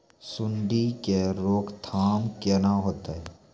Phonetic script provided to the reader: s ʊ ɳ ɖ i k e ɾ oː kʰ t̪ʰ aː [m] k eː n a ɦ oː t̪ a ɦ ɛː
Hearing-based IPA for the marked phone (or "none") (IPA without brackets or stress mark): m